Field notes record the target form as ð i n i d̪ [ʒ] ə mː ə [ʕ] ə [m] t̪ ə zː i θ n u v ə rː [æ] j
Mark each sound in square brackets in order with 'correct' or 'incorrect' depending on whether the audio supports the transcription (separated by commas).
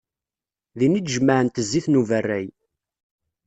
correct, correct, incorrect, correct